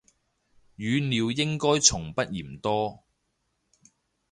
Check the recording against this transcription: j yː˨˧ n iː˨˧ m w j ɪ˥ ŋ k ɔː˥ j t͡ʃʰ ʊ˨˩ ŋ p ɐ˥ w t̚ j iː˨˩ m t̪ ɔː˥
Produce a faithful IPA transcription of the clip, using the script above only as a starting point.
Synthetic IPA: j yː˨˧ n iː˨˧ w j ɪ˥ ŋ k ɔː˥ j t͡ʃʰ ʊ˨˩ ŋ p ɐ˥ t̚ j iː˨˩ m t̪ ɔː˥